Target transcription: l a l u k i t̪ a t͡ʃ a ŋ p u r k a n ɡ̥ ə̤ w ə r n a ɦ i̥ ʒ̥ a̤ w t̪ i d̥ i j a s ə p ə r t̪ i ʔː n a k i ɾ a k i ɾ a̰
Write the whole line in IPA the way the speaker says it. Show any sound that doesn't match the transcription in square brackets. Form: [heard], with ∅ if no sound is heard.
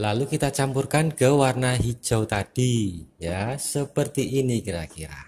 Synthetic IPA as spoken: l a l u k i t̪ a t͡ʃ a [m] p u r k a n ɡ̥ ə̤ w [a] r n a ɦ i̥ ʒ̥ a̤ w t̪ [a] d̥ i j a s ə p ə r t̪ i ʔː n [i] k i ɾ a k i ɾ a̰